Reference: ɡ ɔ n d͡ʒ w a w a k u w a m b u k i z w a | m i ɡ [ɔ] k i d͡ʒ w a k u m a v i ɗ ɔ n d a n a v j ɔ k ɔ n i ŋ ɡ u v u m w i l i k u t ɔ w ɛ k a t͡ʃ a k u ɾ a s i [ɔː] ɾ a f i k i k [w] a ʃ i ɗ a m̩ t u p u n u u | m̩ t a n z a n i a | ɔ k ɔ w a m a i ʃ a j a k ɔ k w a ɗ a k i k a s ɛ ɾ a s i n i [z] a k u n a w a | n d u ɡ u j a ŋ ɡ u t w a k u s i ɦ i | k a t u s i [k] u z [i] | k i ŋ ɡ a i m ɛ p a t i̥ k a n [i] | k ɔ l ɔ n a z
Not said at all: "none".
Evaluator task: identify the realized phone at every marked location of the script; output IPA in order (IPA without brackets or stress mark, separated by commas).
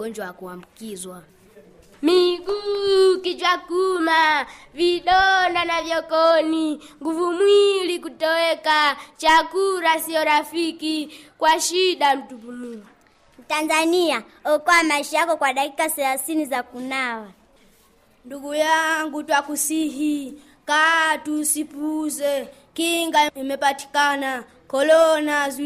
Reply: u, ɔ, w, z, p, ɛ, a